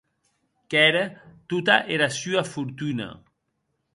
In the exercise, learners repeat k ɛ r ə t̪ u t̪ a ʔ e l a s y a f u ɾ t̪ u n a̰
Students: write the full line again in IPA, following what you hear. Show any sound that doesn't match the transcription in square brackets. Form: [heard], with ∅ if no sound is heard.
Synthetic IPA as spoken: k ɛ [ɾ] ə t̪ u t̪ a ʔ e [ɾ] a s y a f u ɾ t̪ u n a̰